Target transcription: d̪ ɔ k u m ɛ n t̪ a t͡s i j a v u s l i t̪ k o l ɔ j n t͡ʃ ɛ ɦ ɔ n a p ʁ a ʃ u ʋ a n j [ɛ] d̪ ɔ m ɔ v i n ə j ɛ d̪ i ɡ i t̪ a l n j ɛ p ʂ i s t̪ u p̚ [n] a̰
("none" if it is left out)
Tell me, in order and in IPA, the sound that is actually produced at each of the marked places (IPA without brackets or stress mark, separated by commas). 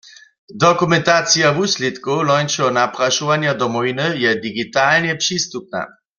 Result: a, n